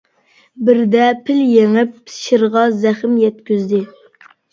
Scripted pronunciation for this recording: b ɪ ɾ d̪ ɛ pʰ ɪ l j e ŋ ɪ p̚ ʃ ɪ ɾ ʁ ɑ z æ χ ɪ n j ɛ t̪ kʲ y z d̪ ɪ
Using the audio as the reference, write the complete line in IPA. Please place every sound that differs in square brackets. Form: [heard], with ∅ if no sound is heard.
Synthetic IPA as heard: b ɪ ɾ d̪ ɛ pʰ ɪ l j e ŋ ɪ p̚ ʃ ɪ ɾ ʁ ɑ z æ χ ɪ [m] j ɛ t̪ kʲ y z d̪ ɪ